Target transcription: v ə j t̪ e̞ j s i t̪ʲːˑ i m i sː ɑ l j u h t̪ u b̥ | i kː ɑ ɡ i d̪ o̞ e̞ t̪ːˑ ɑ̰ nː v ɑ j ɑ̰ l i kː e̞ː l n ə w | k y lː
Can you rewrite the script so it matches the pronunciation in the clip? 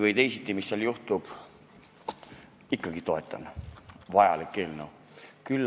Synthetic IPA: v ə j t̪ e̞ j s i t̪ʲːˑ i m i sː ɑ l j u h t̪ u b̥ | i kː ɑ ɡ i t̪ o̞ e̞ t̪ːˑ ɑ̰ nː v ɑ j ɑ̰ l i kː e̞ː l n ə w | k y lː

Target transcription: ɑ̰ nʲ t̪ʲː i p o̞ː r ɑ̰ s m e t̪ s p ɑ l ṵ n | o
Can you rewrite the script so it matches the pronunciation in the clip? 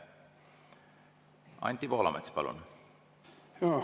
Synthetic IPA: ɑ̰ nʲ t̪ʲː i p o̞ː l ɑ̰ m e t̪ s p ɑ l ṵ n | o

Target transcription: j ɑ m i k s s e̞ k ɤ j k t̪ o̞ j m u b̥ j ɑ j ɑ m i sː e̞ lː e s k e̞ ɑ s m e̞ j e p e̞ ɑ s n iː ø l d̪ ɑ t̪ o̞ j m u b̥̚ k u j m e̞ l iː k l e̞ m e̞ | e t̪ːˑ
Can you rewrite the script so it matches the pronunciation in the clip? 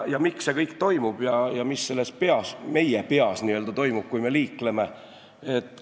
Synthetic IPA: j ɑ m i k s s e̞ k ɤ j k t̪ o̞ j m u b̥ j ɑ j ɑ m i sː e̞ lː e s p e̞ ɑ s m e̞ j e p e̞ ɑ s n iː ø l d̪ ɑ t̪ o̞ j m u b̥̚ k u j m e̞ l iː k l e̞ m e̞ | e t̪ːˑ

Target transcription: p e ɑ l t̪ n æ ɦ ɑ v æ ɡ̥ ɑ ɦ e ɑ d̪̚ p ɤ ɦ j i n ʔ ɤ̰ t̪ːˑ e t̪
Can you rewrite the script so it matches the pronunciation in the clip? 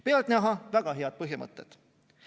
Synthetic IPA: p e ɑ l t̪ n æ ɦ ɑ v æ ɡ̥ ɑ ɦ e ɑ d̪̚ p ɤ ɦ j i m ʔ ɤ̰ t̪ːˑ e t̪

